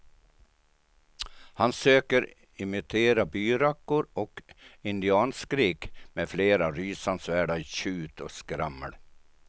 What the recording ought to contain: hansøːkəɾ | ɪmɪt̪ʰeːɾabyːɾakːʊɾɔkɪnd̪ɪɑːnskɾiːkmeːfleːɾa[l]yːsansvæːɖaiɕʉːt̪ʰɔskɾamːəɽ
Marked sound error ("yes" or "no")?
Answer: yes